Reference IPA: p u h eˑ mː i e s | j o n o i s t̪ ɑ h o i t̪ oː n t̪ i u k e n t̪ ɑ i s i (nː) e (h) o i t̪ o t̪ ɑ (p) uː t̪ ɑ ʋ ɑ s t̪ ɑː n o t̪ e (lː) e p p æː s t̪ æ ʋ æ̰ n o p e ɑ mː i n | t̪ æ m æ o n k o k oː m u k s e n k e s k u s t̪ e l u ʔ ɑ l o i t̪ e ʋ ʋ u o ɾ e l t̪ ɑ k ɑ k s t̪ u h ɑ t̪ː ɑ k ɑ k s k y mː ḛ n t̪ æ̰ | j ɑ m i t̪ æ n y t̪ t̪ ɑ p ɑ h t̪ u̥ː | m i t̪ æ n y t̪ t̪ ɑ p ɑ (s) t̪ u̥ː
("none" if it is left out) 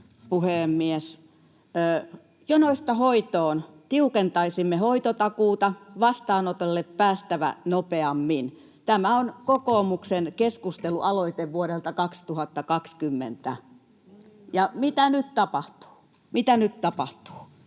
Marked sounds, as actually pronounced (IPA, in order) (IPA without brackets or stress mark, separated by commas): mː, h, k, lː, h